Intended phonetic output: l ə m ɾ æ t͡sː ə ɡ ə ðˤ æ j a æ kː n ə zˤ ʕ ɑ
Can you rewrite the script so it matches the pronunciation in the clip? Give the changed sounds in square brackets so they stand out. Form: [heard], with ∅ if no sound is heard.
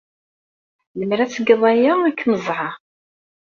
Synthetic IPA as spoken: l ə m ɾ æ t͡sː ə ɡ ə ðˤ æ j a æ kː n ə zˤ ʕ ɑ